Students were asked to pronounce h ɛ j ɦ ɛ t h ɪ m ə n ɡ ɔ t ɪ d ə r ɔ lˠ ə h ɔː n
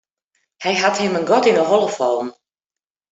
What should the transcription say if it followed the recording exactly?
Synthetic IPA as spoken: h ɛ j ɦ a t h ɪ m ə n ɡ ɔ t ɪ n ə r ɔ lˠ ə f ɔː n